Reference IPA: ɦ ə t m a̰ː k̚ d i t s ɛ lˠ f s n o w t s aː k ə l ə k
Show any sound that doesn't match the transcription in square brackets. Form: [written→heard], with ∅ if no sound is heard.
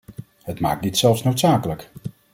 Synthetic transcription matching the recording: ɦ ə t m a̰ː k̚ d i t s ɛ lˠ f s n o w t s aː k ə l ə k